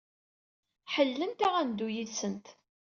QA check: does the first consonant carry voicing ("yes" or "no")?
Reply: no